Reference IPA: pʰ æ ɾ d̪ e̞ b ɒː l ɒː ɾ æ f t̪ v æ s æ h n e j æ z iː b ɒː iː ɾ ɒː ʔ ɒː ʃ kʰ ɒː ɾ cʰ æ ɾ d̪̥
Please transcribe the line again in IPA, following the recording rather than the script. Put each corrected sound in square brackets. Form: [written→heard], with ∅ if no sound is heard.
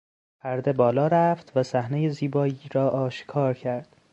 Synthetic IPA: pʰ æ ɾ d̪ e̞ b ɒː l ɒː ɾ æ f t̪ v æ s æ h n e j [æ→e] z iː b ɒː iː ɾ ɒː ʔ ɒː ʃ kʰ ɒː ɾ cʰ æ ɾ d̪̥